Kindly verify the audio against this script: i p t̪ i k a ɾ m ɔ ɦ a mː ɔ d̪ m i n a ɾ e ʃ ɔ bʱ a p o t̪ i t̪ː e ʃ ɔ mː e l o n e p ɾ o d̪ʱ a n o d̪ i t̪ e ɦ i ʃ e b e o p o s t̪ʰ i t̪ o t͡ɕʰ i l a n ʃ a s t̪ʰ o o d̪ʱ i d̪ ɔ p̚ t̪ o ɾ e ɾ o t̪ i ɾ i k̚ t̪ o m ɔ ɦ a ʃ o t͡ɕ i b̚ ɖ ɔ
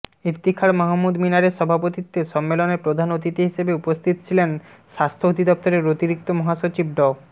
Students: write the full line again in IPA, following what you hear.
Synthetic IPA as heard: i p t̪ i kʰ a ɾ m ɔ ɦ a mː u d̪ m i n a ɾ e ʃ ɔ bʱ a p o t̪ i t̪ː e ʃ ɔ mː e l o n e p ɾ o d̪ʱ a n o t̪ i t̪ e ɦ i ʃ e b e u p o s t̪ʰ i t̪ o t͡ɕʰ i l e n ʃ a s t̪ʰ o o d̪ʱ i d̪ ɔ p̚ t̪ o ɾ e ɾ o t̪ i ɾ i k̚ t̪ o m ɔ ɦ a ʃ o t͡ɕ i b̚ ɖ ɔ

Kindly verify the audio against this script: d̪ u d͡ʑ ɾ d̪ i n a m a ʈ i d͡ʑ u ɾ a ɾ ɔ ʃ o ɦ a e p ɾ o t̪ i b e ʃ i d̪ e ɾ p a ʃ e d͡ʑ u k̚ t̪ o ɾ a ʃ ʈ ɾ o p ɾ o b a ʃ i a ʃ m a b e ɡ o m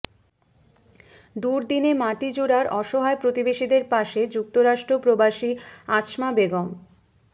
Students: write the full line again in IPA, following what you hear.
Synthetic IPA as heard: d̪ u ɾ d̪ i n e m a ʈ i d͡ʑ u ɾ a ɾ ɔ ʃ o ɦ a e p ɾ o t̪ i b e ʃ i d̪ e ɾ p a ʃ e d͡ʑ u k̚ t̪ o ɾ a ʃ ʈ ɾ o p ɾ o b a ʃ i a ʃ m a b e ɡ o m

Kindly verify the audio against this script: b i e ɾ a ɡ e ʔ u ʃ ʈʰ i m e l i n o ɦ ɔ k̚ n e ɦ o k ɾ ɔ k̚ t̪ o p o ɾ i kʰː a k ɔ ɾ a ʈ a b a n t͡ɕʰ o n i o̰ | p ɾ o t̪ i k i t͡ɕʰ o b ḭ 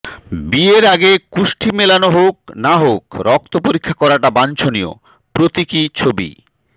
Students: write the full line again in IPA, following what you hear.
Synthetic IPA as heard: b i e ɾ a ɡ e k u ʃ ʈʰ i m e l a n o ɦ o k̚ n a ɦ o k ɾ ɔ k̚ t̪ o p o ɾ i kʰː a k ɔ ɾ a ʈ a b a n t͡ɕʰ o n i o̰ | p ɾ o t̪ i k i t͡ɕʰ o b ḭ

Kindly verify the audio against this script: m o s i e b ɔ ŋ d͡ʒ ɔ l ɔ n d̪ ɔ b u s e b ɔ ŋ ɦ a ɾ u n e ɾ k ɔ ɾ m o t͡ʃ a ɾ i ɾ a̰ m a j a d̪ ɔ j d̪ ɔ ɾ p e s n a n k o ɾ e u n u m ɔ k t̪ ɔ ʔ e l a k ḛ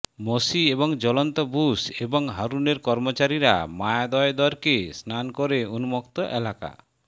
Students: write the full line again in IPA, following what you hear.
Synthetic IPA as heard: m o s i e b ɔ ŋ d͡ʒ ɔ l ɔ n t̪ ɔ b u s e b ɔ ŋ ɦ a ɾ u n e ɾ k ɔ ɾ m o t͡ʃ a ɾ i ɾ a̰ m a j a d̪ ɔ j d̪ ɔ ɾ k e s n a n k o ɾ e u n u m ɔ k t̪ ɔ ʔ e l a k a̰

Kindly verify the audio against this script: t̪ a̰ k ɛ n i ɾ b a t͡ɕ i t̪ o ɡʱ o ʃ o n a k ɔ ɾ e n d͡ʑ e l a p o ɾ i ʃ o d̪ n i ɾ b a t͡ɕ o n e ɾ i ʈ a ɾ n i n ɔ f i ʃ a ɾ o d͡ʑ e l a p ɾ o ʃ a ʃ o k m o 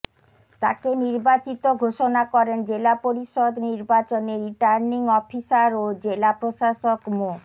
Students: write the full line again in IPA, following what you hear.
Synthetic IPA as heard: t̪ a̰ k e n i ɾ b a t͡ɕ i t̪ o ɡʱ o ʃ o n a k ɔ ɾ e n d͡ʑ e l a p o ɾ i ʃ o d̪ n i ɾ b a t͡ɕ o n e ɾ i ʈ a ɾ n i ŋ ɔ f i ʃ a ɾ o d͡ʑ e l a p ɾ o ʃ a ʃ o k m o

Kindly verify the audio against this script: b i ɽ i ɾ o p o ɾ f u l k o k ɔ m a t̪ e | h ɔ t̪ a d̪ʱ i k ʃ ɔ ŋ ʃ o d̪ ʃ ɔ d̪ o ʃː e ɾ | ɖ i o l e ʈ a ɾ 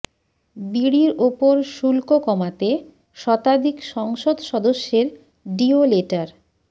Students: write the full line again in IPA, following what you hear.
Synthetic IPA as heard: b i ɽ i ɾ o p o ɾ ʃ u l k o k ɔ m a t̪ e | ʃ ɔ t̪ a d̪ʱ i k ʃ ɔ ŋ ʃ o d̪ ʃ ɔ d̪ o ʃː e ɾ | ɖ i o l e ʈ a ɾ

